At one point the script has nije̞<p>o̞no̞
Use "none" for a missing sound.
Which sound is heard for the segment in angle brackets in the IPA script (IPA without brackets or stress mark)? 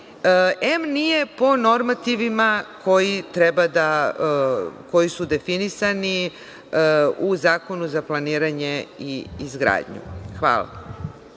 p